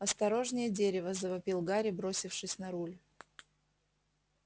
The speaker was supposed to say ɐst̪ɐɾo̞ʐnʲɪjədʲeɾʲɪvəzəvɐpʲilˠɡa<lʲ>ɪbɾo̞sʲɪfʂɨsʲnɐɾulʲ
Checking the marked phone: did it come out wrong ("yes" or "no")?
yes